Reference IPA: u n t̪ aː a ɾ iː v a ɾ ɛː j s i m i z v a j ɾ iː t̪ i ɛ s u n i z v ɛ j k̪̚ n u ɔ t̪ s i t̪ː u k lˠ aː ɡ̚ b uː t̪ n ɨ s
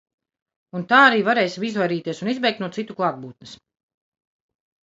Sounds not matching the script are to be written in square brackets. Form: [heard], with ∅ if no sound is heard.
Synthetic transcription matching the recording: u n t̪ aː a ɾ iː v a ɾ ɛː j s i m i z v a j ɾ iː t̪ i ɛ s u n i z [b] ɛ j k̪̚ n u ɔ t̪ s i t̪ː u k lˠ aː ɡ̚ b uː t̪ n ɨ s